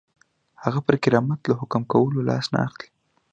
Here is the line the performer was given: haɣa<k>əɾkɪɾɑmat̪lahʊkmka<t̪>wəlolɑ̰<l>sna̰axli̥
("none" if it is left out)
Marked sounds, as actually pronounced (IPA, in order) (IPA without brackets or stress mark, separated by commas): p, none, none